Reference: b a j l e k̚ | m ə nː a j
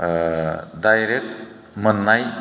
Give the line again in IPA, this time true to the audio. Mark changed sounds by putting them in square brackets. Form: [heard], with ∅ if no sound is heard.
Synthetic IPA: [d] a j [ɾ] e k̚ | m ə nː a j